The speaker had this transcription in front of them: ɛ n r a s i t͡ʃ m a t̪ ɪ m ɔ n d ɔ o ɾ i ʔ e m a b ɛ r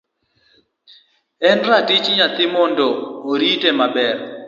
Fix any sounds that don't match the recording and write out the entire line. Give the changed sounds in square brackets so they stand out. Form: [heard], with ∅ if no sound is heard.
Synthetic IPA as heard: ɛ n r a [t] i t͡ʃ [ɲ] a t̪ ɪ m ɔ n d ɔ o ɾ i [t] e m a b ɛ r